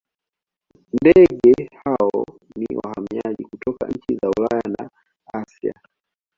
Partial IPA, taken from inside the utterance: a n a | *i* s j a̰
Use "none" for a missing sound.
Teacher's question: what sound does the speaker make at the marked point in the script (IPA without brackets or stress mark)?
a